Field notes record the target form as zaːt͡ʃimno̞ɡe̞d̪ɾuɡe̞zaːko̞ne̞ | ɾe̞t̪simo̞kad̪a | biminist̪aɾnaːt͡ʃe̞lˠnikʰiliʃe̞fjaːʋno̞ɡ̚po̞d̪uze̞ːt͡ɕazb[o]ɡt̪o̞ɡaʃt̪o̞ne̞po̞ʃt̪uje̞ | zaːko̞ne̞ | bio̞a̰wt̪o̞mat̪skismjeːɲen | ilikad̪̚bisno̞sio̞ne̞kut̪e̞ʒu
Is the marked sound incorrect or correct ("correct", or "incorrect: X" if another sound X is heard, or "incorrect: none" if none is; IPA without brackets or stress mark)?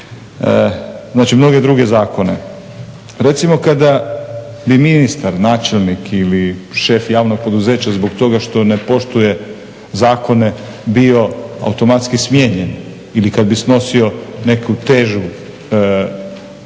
correct